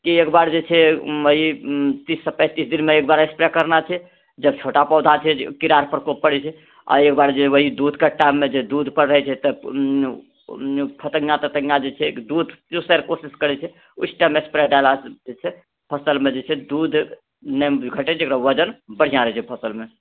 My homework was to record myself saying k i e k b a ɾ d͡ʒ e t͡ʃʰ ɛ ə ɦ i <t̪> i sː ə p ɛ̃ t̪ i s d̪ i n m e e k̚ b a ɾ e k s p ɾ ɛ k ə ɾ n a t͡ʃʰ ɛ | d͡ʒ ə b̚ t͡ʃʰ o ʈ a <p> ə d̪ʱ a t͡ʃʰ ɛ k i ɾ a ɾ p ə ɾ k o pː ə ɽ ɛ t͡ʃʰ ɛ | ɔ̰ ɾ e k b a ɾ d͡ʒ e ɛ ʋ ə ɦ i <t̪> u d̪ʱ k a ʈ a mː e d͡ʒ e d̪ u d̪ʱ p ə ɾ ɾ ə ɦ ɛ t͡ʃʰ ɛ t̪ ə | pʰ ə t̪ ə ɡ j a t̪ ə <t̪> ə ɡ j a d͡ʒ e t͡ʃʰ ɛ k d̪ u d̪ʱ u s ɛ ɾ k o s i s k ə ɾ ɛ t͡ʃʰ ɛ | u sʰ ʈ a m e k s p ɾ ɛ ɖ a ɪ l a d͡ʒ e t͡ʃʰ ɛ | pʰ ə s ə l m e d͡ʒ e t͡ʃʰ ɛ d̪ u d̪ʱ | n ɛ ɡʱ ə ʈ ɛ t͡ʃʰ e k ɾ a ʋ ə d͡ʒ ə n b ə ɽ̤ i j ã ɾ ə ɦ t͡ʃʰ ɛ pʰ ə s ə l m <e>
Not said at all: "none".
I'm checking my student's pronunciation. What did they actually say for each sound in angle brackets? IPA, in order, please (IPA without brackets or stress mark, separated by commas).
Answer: t̪, p, d̪, t̪, e